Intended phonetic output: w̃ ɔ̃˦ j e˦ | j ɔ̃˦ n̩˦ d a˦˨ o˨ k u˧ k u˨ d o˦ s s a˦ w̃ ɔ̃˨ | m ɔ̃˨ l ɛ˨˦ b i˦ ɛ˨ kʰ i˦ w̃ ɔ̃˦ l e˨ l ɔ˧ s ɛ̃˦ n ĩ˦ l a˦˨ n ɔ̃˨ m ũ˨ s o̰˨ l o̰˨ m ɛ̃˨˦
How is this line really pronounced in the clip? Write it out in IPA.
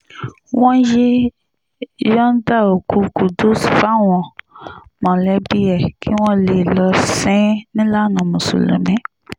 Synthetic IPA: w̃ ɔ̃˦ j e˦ | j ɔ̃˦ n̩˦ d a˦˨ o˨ k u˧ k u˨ d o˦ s f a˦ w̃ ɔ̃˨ | m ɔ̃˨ l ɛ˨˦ b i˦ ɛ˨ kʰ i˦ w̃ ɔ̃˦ l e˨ l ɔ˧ s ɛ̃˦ n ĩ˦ l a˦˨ n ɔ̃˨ m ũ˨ s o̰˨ l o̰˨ m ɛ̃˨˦